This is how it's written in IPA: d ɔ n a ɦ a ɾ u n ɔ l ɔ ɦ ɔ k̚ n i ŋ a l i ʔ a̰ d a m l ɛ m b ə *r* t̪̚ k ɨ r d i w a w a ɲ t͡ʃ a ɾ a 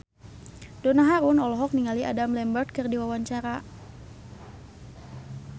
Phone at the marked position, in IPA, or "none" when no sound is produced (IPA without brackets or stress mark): r